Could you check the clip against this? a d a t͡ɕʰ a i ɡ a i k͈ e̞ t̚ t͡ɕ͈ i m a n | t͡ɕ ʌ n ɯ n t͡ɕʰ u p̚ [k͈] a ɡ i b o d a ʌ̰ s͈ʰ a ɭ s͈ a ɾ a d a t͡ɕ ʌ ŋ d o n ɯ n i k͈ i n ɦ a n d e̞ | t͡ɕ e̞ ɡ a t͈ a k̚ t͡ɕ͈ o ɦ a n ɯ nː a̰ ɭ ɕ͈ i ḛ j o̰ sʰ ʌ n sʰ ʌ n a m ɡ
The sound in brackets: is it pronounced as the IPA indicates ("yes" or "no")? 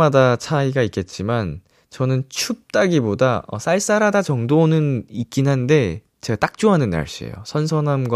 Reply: no